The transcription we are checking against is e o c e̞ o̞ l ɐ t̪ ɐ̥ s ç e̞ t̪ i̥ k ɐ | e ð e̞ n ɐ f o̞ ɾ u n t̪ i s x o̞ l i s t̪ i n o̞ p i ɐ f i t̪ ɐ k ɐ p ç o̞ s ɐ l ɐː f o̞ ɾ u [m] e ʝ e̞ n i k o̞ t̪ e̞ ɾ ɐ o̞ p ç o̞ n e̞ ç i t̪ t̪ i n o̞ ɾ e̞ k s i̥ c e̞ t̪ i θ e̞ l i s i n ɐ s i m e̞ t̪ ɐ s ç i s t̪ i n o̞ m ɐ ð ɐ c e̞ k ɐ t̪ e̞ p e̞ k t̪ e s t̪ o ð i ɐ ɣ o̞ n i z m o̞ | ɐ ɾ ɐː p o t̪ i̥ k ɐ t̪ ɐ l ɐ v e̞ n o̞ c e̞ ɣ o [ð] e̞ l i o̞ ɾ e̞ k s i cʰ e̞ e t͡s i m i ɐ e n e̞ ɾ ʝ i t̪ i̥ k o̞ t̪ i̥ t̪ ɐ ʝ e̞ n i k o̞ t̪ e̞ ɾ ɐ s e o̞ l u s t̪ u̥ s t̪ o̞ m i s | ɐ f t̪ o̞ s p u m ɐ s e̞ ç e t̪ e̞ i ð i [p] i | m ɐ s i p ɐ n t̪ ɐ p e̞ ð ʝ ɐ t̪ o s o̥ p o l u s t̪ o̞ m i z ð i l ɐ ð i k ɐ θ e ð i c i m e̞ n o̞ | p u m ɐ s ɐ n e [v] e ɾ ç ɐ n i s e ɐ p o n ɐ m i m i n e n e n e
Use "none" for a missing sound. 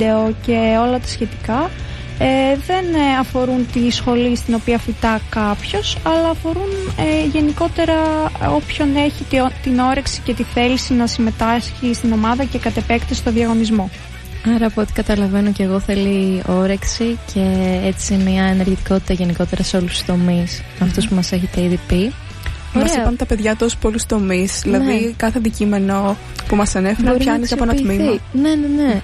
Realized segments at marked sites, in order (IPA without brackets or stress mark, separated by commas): n, θ, p, f